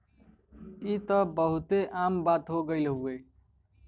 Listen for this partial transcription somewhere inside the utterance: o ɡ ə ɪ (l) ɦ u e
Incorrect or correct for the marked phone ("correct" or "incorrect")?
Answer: correct